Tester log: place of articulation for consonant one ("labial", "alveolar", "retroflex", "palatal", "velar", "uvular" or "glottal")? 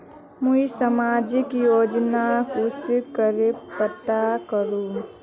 labial